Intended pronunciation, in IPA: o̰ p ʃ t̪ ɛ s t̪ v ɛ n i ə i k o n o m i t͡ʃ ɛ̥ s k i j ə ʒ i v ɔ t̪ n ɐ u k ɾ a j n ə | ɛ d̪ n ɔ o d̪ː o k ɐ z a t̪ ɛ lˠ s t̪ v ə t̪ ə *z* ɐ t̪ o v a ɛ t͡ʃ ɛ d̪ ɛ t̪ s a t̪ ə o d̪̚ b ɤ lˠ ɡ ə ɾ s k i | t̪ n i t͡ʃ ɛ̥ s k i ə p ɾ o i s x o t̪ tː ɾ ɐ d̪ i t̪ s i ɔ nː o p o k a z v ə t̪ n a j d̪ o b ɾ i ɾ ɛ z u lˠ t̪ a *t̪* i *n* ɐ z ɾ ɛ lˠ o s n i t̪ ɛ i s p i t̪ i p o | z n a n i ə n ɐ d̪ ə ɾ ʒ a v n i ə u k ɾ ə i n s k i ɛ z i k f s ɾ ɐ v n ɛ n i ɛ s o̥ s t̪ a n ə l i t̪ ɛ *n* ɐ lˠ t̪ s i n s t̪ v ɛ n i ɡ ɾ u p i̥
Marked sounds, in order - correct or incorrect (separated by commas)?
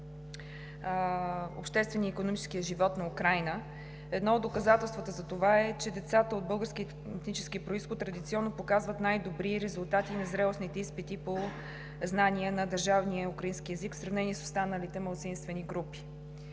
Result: correct, correct, correct, incorrect